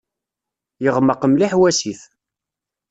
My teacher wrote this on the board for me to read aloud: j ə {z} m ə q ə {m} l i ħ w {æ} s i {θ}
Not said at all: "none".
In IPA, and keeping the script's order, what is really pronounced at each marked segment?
ʁ, m, æ, θ

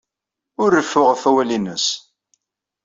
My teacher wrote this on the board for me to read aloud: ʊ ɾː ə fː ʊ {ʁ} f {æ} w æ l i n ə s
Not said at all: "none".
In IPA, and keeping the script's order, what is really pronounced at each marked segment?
ʁ, æ

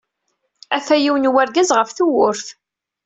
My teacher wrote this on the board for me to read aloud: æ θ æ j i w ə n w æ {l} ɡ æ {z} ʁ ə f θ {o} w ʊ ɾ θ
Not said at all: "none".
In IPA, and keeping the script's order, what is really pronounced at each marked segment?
ɾ, z, u

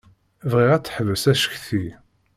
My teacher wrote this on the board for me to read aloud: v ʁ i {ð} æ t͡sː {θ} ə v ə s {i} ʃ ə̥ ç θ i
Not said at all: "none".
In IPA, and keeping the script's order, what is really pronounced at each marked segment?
ʁ, ħ, æ

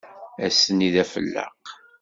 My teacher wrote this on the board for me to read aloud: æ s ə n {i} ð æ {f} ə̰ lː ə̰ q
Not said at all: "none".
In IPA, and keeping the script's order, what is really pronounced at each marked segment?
i, f

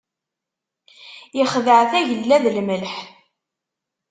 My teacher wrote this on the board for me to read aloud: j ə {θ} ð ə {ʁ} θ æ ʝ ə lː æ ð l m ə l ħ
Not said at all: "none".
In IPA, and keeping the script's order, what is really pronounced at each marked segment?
χ, ʕ

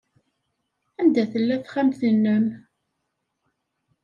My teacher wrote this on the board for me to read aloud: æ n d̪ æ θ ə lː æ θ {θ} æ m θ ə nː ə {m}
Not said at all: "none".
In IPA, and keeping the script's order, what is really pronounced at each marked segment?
χ, m

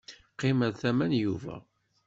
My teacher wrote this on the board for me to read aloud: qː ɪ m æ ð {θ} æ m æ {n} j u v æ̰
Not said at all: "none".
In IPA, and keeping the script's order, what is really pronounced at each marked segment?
θ, n

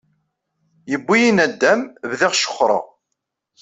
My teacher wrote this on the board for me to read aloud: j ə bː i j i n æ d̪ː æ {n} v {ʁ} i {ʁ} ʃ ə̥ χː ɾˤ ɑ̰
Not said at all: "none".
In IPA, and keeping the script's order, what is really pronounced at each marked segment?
m, ð, ʁ

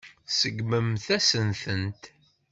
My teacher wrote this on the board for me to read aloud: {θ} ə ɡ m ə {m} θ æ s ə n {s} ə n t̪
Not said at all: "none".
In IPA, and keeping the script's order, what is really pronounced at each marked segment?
s, m, θ

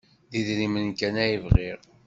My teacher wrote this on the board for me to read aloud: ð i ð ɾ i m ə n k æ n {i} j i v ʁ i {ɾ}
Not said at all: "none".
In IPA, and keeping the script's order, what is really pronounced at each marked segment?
æ, ɾ

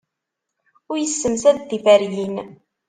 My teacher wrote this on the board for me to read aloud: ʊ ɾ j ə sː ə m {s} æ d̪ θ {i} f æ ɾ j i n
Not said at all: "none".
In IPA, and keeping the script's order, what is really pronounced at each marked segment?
s, i

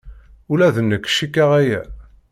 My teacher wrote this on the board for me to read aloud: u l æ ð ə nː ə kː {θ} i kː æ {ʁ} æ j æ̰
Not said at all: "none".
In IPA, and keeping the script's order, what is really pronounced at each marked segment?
ʃ, ʁ

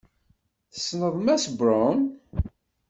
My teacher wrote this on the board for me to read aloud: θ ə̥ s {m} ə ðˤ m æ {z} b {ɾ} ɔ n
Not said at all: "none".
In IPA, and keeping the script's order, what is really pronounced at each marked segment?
n, s, ɾ

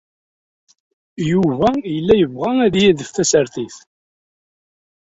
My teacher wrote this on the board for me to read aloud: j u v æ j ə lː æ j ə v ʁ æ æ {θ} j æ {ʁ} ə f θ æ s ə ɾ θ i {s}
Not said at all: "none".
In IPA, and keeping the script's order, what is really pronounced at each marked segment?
ð, ð, θ

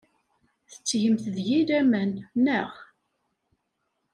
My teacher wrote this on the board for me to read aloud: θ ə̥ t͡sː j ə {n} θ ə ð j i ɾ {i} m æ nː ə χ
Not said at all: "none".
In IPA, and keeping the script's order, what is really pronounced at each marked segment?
m, æ

